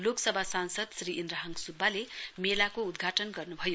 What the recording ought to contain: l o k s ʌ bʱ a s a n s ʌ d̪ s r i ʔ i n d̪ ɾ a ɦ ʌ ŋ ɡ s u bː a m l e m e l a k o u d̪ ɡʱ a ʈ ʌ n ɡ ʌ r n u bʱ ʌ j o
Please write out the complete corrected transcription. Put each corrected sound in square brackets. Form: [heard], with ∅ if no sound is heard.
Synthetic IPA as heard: l o k s ʌ bʱ a s a n s ʌ d̪ s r i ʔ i n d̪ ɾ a ɦ ʌ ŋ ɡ s u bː a [∅] l e m e l a k o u d̪ ɡʱ a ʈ ʌ n ɡ ʌ r n u bʱ ʌ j o